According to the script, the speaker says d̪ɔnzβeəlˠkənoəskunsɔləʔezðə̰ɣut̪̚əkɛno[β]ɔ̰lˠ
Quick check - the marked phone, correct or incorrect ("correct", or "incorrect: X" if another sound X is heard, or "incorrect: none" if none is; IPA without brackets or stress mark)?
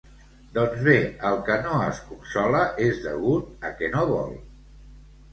correct